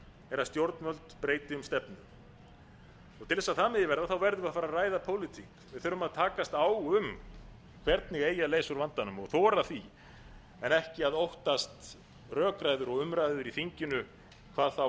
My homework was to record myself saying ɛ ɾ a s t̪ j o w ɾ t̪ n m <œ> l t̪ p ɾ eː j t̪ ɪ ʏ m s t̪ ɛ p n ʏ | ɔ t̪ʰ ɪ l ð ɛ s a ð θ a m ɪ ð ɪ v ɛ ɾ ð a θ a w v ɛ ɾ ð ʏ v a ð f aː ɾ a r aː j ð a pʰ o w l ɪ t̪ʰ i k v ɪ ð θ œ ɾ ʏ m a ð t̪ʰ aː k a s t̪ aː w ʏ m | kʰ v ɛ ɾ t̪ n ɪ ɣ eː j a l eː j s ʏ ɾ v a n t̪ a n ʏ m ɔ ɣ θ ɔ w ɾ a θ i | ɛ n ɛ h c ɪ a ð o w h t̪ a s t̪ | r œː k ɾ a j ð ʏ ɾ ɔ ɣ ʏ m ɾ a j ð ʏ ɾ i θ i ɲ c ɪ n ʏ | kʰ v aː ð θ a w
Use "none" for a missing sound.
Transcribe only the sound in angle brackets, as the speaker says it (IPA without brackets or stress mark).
œ